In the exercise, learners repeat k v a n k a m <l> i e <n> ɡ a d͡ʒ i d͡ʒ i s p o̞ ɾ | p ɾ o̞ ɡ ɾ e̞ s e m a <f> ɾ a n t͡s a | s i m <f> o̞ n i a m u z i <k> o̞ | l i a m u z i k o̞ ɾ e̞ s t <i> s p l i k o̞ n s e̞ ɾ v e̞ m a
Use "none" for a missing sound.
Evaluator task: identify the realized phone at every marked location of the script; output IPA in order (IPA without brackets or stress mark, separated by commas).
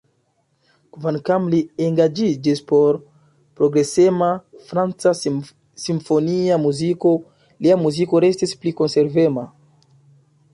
l, ŋ, f, f, k, i